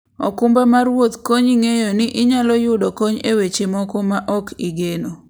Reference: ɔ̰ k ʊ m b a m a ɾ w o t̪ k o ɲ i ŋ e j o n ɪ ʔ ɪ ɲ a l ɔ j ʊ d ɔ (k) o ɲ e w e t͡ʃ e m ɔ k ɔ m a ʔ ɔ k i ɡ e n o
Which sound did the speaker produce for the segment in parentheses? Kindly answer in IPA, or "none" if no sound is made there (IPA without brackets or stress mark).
k